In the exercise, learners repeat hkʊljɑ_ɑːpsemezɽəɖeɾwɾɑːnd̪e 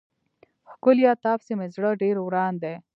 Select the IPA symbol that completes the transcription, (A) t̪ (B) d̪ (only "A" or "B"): A